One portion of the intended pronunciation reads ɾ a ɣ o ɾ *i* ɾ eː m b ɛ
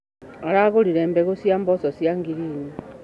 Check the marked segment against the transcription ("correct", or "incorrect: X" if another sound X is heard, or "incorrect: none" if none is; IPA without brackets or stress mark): correct